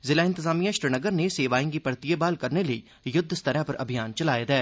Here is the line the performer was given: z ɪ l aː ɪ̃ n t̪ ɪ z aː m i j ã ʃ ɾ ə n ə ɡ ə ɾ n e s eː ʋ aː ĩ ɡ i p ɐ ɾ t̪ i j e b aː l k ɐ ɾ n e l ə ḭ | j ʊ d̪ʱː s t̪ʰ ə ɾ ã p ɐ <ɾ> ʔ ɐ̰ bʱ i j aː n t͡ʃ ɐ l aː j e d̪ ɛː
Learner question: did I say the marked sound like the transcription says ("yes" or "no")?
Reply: yes